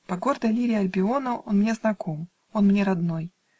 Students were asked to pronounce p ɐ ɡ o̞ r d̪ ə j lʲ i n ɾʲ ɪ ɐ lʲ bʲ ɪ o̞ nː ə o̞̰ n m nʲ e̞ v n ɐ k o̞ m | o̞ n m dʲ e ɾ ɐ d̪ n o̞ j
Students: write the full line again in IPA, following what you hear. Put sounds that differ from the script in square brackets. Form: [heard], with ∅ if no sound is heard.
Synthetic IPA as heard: p ɐ ɡ o̞ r d̪ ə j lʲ i [∅] ɾʲ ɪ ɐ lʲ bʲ ɪ o̞ [n] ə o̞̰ n m nʲ e̞ [z] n ɐ k o̞ m | o̞ n m [nʲ] e ɾ ɐ d̪ n o̞ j